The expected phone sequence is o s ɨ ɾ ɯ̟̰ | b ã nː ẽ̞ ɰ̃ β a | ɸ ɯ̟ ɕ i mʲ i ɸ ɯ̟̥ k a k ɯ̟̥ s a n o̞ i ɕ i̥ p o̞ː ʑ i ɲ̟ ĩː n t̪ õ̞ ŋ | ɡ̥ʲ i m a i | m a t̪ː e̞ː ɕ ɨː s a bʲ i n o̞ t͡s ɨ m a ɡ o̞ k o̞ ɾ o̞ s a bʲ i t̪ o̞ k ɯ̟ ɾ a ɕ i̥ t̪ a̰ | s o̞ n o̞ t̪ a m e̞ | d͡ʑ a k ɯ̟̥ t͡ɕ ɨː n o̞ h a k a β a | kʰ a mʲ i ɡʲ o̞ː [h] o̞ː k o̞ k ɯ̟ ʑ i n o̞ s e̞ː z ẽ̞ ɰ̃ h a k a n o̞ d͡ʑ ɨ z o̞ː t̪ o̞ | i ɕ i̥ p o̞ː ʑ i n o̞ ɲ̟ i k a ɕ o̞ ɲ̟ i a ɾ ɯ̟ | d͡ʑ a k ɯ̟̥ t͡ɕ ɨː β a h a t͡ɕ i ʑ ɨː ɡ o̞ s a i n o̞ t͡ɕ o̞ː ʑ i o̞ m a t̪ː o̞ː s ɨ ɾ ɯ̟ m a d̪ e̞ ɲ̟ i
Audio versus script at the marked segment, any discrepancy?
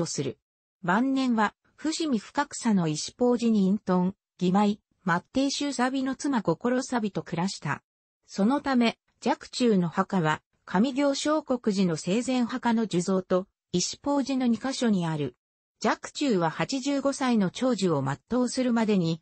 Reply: yes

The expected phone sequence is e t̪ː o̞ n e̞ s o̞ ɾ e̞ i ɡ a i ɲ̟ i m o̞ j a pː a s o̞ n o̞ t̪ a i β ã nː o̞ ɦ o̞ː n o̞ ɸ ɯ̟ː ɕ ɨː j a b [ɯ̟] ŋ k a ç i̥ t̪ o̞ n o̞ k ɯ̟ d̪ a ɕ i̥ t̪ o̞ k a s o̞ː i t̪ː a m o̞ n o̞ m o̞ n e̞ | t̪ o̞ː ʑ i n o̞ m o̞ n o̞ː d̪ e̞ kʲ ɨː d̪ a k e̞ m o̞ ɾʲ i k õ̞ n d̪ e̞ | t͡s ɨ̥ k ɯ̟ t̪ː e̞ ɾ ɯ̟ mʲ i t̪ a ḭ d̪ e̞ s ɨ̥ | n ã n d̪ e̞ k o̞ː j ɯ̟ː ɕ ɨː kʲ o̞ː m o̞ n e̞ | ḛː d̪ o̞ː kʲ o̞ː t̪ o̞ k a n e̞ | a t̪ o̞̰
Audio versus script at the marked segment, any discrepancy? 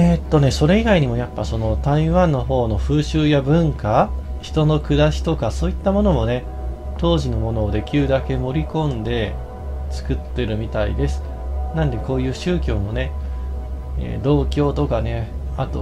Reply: yes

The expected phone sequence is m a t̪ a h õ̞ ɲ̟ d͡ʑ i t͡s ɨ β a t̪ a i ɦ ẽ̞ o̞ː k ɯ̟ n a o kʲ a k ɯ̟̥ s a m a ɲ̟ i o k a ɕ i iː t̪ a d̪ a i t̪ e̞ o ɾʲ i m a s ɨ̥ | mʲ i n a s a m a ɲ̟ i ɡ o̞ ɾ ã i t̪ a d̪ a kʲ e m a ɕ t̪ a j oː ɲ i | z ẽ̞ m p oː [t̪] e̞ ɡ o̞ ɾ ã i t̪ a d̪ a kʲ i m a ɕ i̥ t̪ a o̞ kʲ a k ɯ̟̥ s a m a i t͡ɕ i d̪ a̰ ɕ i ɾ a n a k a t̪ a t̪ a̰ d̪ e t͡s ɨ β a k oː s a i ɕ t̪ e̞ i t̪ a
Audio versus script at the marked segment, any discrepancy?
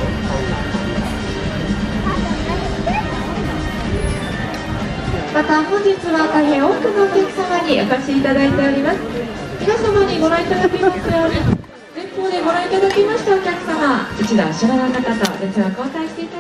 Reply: yes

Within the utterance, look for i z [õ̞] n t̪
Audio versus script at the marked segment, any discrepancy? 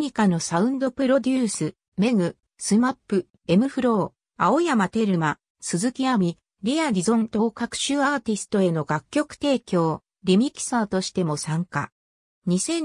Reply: no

